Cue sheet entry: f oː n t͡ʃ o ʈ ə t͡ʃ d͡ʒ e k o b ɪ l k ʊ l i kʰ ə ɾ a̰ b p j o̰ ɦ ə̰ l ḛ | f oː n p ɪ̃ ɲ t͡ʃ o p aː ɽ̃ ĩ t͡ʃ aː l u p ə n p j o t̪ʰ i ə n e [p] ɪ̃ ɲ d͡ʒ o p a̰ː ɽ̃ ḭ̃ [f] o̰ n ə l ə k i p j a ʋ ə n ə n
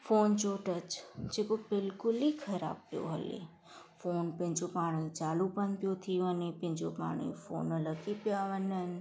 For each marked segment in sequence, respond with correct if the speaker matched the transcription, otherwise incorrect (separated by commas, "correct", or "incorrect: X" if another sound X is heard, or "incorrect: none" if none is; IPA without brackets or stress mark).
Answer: correct, correct